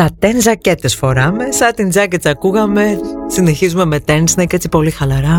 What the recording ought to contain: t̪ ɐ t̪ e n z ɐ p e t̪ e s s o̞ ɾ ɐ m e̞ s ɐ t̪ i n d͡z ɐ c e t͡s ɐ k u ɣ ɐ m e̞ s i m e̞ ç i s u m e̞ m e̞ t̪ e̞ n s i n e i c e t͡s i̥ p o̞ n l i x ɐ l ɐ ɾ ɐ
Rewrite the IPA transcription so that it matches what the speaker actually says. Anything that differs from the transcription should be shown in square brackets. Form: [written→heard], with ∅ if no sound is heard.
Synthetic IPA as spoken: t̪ ɐ t̪ e n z ɐ [p→c] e t̪ e s [s→f] o̞ ɾ ɐ m e̞ s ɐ t̪ i n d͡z ɐ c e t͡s ɐ k u ɣ ɐ m e̞ s i [m→n] e̞ ç i [s→z] u m e̞ m e̞ t̪ e̞ n s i n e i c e t͡s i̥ p o̞ [n→∅] l i x ɐ l ɐ ɾ ɐ